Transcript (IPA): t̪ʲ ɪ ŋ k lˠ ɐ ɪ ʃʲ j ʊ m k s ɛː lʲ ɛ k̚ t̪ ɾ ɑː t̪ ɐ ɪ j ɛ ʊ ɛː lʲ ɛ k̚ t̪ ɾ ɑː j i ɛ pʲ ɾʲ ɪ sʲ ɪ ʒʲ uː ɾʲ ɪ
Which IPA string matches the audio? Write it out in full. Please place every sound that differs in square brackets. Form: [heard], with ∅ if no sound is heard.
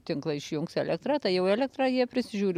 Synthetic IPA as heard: t̪ʲ ɪ ŋ k lˠ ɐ ɪ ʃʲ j ʊ [ŋ] k s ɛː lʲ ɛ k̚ t̪ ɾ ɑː t̪ ɐ ɪ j ɛ ʊ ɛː lʲ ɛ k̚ t̪ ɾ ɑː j i ɛ pʲ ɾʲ ɪ sʲ ɪ ʒʲ uː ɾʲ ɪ